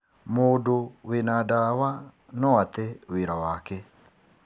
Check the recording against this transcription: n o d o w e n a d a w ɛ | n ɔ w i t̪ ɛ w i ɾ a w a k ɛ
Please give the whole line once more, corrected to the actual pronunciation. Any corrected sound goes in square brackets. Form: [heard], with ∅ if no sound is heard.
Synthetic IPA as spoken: [m] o d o w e n a d a w [a] | n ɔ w [a] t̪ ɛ w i ɾ a w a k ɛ